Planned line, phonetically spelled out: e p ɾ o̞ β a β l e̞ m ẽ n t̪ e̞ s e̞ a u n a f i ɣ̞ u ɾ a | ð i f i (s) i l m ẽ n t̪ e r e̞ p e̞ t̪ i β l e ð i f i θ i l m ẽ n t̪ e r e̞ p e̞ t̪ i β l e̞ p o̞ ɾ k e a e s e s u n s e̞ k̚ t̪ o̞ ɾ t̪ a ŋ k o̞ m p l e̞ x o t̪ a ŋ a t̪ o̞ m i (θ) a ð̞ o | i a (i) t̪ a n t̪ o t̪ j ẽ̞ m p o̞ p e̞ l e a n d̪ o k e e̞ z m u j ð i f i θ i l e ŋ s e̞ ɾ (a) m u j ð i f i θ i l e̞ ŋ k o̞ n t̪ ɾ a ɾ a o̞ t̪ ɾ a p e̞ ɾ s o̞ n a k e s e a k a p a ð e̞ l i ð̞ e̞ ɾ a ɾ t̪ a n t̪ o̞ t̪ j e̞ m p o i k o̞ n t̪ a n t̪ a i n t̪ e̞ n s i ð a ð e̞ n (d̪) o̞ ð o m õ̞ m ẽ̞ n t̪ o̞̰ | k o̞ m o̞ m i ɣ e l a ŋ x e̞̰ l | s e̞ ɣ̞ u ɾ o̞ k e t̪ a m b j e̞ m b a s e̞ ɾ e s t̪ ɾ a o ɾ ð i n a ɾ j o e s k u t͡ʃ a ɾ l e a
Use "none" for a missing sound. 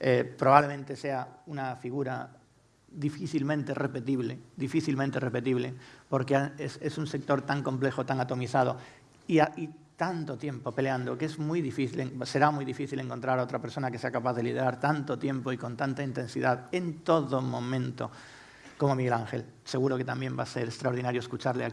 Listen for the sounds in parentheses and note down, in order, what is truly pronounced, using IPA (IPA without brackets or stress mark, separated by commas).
θ, θ, i, a, t̪